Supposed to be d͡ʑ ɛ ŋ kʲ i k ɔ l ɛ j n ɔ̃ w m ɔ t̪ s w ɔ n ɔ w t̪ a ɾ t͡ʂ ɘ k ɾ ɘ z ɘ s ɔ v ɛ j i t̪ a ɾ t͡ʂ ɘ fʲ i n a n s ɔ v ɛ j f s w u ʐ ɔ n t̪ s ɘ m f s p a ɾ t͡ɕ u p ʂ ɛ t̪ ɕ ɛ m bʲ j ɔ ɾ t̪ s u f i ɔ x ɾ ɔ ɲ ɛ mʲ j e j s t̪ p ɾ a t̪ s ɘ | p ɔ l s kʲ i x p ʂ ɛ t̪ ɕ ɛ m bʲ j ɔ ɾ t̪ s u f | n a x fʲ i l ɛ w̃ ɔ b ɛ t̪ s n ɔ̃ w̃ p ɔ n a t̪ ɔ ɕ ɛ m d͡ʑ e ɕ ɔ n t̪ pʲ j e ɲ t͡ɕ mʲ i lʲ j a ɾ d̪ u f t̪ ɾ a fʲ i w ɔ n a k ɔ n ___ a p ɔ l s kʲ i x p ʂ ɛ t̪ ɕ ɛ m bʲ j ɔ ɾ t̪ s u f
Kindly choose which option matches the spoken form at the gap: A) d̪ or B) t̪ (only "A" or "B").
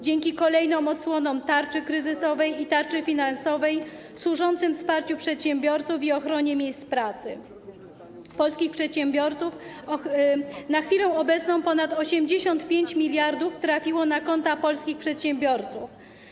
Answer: B